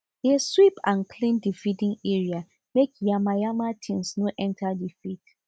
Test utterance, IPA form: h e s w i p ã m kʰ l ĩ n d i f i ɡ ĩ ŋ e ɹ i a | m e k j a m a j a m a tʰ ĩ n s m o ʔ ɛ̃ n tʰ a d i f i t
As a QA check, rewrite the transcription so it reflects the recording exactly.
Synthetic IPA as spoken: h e s w i p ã n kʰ l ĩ n d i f i d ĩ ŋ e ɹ i a | m e k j a m a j a m a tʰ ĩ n s n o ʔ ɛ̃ n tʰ a d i f i t

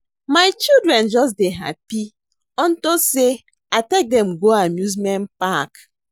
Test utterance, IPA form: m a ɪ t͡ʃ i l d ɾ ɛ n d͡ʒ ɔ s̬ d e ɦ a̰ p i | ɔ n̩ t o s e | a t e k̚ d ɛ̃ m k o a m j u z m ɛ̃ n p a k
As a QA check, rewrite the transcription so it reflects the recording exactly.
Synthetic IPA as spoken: m a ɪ t͡ʃ i l d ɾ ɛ n d͡ʒ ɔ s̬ d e ɦ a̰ p i | ɔ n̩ t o s e | a t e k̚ d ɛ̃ m ɡ o a m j u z m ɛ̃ n p a k

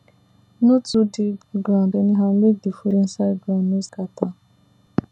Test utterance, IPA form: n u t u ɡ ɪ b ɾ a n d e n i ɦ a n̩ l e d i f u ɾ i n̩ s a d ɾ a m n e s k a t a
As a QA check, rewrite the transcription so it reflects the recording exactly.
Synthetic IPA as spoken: n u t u d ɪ ɡ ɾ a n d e n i ɦ a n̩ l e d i f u ɾ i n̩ s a ɡ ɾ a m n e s k a t a

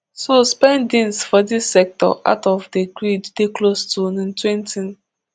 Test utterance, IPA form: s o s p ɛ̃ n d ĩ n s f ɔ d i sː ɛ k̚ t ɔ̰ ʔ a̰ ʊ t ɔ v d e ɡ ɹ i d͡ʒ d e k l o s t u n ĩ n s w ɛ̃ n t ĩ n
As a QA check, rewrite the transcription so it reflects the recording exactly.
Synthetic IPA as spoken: s o s p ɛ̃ n d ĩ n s f ɔ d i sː ɛ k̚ t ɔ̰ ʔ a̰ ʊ t ɔ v d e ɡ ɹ i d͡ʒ d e k l o s t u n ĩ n t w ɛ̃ n t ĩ n

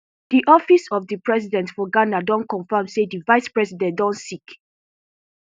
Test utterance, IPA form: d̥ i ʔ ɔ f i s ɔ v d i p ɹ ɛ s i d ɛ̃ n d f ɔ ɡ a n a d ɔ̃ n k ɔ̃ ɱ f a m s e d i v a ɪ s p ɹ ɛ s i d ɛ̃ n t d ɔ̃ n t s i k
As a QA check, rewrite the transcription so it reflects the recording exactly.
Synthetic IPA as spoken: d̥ i ʔ ɔ f i s ɔ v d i p ɹ ɛ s i d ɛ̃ n t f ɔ ɡ a n a d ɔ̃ n k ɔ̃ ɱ f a m s e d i v a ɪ s p ɹ ɛ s i d ɛ̃ n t d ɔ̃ n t s i k

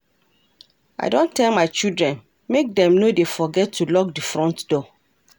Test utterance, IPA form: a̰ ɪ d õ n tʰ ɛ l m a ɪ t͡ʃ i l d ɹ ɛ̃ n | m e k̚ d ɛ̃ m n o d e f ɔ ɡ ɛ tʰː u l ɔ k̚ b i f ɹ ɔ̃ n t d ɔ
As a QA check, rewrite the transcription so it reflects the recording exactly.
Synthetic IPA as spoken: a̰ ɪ d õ n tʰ ɛ l m a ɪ t͡ʃ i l d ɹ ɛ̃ n | m e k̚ d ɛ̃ m n o d e f ɔ ɡ ɛ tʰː u l ɔ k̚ d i f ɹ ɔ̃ n t d ɔ

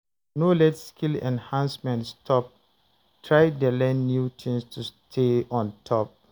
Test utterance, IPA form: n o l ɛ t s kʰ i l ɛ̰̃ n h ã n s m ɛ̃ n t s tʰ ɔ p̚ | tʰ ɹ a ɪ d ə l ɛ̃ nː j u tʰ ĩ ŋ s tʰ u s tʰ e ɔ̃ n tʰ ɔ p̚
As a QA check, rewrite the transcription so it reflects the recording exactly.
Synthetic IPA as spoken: n o l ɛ t s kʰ i l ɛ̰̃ n h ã n s m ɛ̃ n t s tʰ ɔ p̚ | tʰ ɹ a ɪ d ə l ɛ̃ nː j u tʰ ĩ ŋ s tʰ u s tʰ e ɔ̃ n tʰ ɔ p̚

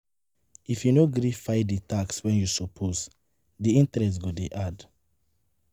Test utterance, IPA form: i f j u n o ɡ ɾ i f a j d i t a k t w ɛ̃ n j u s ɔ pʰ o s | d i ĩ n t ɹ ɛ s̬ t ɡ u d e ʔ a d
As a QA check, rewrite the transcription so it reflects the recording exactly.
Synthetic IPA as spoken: i f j u n o ɡ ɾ i f a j d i t a k s w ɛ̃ n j u s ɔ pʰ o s | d i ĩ n t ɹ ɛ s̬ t ɡ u d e ʔ a d

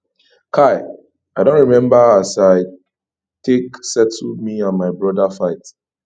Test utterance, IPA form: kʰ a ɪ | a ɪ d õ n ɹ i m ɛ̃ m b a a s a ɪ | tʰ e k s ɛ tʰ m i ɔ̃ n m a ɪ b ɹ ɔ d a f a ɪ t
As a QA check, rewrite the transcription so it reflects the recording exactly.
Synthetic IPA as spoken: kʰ a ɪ | a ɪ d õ n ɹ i m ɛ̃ m b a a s a ɪ | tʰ e k s ɛ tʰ m i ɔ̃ n m a ɪ b ɹ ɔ d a f a ɪ t

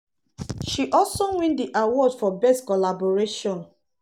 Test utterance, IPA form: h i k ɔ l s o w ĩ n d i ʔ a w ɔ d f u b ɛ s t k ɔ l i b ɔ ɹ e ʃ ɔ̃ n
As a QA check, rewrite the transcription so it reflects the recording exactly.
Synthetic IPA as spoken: ʃ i ʔ ɔ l s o w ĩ n d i ʔ a w ɔ d f ɔ b ɛ s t k ɔ l a b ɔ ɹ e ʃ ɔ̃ n

